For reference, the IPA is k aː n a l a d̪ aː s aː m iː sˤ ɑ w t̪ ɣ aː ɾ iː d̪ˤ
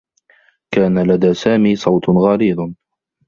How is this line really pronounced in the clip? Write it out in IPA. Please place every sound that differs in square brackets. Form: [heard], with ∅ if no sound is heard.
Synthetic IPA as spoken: k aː n a l a d̪ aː s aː m iː sˤ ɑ w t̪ ɣ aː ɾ iː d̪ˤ